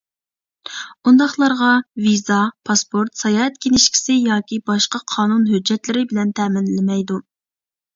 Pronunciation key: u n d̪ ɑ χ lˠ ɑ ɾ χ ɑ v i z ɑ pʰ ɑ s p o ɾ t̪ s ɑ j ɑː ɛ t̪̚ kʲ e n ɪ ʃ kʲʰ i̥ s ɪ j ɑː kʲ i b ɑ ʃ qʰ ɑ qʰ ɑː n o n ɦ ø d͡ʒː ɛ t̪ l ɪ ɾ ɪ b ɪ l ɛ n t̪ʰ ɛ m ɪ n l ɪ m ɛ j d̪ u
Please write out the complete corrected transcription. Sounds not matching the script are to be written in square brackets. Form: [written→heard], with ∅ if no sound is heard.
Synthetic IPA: u n d̪ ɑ χ lˠ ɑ ɾ [χ→ʁ] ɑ v i z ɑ pʰ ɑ s p o ɾ t̪ s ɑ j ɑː ɛ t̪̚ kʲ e n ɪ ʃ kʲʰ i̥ s ɪ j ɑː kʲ i b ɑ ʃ [qʰ→q] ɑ qʰ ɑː n [o→u] n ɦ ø d͡ʒː ɛ t̪ l ɪ ɾ ɪ b ɪ l ɛ n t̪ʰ ɛ m ɪ n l ɪ m ɛ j d̪ u